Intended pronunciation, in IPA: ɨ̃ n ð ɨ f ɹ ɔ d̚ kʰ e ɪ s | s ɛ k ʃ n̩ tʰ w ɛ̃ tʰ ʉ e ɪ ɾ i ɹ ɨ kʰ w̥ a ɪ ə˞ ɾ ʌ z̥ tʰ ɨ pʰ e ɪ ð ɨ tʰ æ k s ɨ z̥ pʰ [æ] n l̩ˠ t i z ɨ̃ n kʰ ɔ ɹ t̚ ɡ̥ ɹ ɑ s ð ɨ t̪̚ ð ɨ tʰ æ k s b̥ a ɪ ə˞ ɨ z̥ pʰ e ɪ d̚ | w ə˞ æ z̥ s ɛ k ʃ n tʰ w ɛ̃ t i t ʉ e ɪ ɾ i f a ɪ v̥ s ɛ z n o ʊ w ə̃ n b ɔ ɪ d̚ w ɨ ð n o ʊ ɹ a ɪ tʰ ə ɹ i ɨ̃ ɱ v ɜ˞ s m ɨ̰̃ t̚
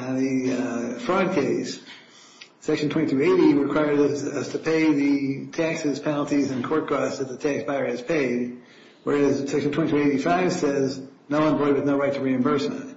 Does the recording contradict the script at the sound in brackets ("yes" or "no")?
yes